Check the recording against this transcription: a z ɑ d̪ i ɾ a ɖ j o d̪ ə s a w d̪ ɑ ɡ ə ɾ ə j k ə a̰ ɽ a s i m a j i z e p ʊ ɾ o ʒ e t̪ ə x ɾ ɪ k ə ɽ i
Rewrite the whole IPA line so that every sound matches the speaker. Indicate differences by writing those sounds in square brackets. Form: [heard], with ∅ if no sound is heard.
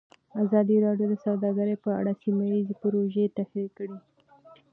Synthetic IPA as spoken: a z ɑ d̪ i ɾ [ɑ] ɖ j o d̪ ə s a w d̪ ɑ ɡ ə ɾ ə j [p] ə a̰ ɽ a s i m a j i z e p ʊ ɾ o ʒ e t̪ [a] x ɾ [i] k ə ɽ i

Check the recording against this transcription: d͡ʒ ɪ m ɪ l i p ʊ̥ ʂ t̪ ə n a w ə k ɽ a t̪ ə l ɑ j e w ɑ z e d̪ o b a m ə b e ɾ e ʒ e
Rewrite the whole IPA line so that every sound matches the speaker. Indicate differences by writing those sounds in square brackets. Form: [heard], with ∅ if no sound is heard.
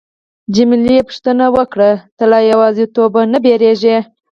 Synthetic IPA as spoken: d͡ʒ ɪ m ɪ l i p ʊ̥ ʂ t̪ ə n a w ə k ɽ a t̪ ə l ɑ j [a] w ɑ z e [t̪] o b a [n] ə b e ɾ e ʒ e

